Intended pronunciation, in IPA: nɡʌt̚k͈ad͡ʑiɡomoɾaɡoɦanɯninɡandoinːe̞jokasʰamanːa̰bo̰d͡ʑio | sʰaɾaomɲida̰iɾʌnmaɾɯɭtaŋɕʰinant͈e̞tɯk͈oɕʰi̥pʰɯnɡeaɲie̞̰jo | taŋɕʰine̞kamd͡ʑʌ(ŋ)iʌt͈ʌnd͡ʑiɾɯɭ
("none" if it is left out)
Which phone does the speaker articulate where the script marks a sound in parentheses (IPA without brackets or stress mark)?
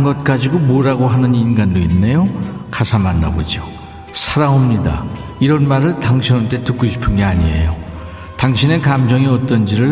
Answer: ŋ